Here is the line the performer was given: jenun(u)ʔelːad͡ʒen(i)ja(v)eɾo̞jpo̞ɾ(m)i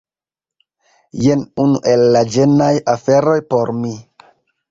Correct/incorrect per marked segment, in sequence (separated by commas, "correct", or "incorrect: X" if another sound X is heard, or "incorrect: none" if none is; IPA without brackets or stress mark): correct, incorrect: a, incorrect: f, correct